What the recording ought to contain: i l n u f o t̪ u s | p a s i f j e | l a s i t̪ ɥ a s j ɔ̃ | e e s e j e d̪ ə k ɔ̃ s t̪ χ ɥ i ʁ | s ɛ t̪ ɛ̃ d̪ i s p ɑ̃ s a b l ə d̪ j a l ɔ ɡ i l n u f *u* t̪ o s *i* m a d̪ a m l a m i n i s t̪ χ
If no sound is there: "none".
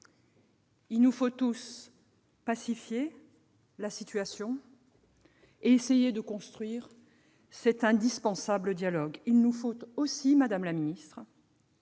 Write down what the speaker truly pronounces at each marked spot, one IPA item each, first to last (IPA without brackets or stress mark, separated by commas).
o, i